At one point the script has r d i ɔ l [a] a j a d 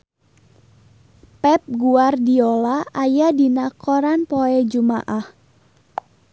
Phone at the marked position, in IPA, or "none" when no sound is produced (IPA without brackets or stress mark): a